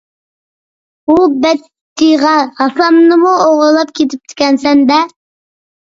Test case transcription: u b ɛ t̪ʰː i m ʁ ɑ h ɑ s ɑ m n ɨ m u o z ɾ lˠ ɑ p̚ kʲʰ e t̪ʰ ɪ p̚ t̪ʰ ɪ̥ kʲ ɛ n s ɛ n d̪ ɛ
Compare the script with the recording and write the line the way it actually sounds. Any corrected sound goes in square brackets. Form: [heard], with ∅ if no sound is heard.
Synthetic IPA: u b ɛ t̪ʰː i [∅] ʁ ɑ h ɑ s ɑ m n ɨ m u o [ʁ] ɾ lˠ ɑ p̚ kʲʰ e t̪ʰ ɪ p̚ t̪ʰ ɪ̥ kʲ ɛ n s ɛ n d̪ ɛ